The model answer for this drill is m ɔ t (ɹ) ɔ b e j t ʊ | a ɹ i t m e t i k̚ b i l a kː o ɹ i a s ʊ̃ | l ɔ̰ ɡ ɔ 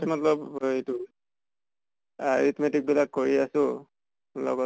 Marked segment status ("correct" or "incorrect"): incorrect